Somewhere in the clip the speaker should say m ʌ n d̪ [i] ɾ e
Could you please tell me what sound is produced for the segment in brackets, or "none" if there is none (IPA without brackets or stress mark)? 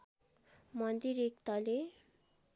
i